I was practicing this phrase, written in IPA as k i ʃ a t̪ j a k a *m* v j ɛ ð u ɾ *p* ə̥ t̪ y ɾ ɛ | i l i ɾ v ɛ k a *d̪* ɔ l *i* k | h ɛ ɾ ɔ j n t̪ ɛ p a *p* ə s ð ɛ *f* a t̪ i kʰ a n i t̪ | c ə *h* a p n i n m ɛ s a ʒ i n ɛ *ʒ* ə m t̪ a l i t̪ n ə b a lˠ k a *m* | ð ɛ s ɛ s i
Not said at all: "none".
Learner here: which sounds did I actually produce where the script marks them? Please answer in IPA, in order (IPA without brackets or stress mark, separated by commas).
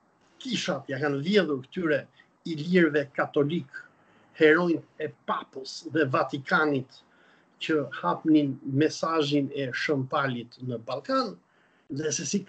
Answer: n, k, t̪, i, p, v, h, ʃ, n